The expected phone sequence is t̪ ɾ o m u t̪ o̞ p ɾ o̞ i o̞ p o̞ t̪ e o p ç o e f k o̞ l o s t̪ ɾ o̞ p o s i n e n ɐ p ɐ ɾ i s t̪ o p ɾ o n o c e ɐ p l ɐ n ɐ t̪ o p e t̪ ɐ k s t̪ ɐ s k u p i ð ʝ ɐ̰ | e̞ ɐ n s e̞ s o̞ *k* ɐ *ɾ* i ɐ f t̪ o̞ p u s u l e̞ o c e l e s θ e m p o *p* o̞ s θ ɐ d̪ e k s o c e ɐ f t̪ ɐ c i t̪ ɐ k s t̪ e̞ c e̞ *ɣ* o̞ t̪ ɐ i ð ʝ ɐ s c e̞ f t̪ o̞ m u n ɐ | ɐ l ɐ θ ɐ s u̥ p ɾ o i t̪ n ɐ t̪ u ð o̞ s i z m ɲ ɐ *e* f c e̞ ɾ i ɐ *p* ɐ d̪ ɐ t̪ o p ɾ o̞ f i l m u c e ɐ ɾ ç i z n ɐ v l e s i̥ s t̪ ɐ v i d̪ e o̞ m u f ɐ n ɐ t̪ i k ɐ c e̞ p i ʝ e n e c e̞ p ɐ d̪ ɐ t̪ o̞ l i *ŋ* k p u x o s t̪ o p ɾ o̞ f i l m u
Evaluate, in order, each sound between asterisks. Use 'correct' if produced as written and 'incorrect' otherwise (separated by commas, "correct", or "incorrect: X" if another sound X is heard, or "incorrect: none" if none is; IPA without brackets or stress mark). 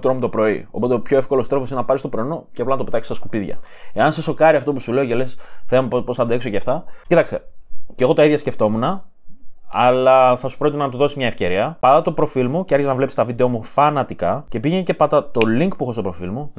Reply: correct, correct, correct, correct, correct, correct, correct